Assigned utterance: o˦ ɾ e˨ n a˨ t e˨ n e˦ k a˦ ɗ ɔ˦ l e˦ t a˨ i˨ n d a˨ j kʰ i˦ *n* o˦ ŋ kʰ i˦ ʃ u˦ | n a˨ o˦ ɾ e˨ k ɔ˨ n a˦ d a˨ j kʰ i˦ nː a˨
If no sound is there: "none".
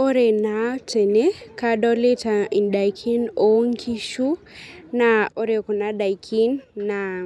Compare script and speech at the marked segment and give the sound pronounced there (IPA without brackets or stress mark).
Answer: n